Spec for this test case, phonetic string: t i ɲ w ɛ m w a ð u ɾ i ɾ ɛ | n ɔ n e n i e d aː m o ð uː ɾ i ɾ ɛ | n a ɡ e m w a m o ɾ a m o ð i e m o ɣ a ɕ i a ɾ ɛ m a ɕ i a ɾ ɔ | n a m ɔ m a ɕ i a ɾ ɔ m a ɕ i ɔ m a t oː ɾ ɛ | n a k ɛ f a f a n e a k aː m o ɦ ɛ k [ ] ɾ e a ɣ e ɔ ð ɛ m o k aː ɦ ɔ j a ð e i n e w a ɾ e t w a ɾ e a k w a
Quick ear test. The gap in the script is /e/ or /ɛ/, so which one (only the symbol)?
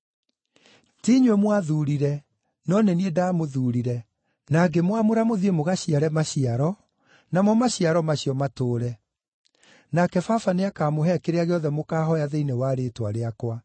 e